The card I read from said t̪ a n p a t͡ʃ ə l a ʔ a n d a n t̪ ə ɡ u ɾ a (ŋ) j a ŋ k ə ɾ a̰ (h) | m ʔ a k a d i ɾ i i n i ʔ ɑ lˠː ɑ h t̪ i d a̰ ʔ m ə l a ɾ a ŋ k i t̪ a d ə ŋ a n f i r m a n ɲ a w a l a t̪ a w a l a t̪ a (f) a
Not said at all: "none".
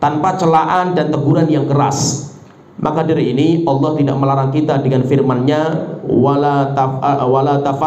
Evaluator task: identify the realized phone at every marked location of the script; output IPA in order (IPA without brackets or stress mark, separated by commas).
n, s, f